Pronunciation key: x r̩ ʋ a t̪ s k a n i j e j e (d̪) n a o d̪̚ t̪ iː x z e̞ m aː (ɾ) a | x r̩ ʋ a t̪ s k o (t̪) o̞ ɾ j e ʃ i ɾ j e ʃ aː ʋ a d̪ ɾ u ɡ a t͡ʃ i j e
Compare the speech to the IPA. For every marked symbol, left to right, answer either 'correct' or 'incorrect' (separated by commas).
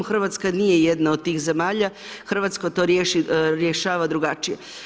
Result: correct, incorrect, correct